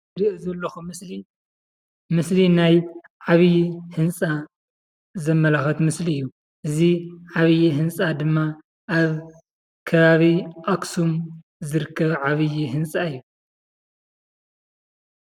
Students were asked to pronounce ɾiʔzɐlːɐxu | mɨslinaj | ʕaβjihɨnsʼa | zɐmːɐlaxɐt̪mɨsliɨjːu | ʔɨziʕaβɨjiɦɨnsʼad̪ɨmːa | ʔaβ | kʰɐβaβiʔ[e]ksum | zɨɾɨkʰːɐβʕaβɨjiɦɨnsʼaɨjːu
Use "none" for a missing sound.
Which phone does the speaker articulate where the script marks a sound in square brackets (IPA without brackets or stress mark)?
a